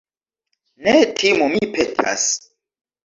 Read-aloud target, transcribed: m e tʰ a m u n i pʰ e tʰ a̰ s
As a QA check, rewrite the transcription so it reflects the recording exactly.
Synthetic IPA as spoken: n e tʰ i m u m i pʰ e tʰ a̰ s